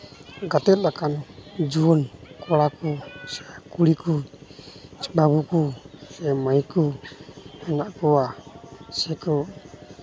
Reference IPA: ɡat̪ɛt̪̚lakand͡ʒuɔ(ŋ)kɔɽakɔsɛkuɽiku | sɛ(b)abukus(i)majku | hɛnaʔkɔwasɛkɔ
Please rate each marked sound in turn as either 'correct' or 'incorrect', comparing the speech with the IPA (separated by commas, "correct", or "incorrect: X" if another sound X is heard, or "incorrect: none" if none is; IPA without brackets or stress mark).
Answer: incorrect: n, correct, incorrect: ɛ